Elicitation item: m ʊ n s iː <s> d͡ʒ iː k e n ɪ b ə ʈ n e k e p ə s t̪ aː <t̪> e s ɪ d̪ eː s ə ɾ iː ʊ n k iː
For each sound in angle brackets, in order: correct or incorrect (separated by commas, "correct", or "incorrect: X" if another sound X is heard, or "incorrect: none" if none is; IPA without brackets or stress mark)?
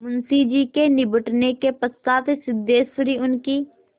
incorrect: none, correct